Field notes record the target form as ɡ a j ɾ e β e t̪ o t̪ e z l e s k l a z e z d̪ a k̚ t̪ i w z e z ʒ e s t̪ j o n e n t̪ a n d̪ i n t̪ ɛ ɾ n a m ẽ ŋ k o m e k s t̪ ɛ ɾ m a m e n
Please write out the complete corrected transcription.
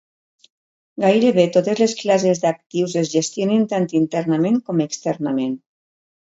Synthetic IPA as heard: ɡ a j ɾ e β e t̪ o t̪ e z l e s k l a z e z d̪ a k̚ t̪ i w z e z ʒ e s t̪ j o n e n t̪ a n t̪ i n t̪ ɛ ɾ n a m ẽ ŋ k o m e k s t̪ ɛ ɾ n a m e n